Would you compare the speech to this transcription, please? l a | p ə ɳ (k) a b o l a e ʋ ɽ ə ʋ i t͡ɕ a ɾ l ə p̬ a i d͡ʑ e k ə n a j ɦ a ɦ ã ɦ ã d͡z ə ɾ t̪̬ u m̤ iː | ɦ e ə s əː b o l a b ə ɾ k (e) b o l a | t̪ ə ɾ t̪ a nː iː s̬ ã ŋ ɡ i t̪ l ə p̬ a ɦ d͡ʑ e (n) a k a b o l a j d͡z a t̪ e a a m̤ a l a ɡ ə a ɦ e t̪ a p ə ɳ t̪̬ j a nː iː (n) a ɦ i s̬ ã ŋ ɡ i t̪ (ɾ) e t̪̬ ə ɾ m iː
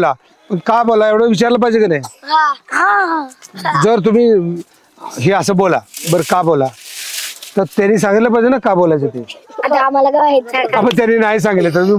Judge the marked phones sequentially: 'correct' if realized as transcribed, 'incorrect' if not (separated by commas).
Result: correct, incorrect, correct, correct, incorrect